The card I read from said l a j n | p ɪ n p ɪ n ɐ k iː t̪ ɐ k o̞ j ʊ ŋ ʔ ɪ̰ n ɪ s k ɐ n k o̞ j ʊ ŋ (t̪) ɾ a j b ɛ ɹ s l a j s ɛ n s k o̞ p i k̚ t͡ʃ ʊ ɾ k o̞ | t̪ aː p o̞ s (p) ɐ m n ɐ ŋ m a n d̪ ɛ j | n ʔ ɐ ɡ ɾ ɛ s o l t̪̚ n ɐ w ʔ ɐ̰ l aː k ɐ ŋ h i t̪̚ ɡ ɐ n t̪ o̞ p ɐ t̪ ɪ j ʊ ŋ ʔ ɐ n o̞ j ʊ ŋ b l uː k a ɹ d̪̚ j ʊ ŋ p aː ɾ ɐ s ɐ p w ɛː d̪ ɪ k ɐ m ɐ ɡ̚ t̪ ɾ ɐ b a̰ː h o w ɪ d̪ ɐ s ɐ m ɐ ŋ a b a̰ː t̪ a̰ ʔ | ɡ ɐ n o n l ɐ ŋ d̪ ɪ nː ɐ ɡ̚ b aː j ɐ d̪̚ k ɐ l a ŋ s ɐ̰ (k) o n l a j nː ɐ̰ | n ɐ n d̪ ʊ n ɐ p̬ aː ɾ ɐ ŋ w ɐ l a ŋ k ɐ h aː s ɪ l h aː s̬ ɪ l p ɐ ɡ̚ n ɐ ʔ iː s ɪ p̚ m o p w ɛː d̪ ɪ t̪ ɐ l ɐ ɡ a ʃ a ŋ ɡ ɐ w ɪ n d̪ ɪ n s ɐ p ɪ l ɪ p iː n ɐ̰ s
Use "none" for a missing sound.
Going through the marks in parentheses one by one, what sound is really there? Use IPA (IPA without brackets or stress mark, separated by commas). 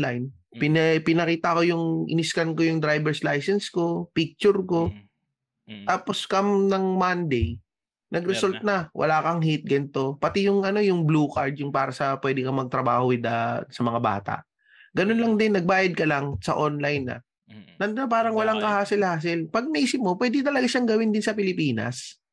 d̪, k, ʔ